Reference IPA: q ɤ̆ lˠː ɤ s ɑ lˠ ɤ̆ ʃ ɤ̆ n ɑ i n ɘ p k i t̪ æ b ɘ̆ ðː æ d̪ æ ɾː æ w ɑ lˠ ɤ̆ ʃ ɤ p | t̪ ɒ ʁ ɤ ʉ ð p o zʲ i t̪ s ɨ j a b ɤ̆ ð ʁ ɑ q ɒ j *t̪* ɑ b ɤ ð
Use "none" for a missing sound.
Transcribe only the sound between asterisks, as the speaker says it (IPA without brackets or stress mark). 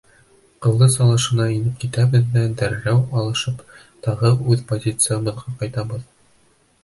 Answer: t̪